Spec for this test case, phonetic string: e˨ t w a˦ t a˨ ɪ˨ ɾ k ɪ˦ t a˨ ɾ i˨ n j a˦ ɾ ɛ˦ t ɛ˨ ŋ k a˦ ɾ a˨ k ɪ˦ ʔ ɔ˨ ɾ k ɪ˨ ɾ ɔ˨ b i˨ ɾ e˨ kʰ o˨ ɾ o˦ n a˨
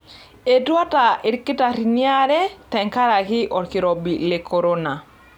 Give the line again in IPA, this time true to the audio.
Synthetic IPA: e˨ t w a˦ t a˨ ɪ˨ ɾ k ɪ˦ t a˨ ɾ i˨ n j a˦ ɾ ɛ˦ t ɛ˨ ŋ k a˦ ɾ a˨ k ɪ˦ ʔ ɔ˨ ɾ k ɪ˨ ɾ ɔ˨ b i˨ l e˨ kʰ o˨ ɾ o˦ n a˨